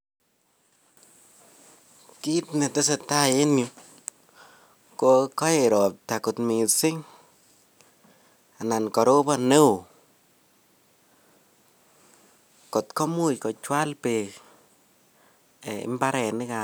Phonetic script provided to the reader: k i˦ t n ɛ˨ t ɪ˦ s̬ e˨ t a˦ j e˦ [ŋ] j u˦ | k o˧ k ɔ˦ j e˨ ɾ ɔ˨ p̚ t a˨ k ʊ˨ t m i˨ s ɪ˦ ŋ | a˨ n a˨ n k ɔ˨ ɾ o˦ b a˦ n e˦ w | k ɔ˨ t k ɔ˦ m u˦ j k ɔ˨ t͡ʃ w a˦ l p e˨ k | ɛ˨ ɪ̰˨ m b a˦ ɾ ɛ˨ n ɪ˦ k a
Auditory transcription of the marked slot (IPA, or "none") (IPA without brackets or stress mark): n